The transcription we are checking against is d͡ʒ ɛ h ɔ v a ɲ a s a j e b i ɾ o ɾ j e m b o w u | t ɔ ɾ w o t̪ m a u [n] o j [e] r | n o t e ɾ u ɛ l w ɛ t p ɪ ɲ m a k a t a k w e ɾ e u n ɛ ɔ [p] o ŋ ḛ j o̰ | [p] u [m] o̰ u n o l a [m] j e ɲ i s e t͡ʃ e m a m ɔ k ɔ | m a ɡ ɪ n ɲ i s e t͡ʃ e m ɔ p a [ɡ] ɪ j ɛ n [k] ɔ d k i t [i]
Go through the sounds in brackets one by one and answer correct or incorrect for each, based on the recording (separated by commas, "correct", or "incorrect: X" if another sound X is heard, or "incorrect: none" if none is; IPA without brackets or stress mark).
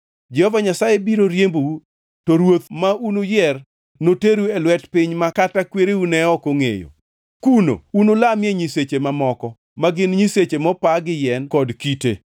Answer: correct, incorrect: ɛ, incorrect: k, incorrect: k, incorrect: n, correct, correct, correct, incorrect: e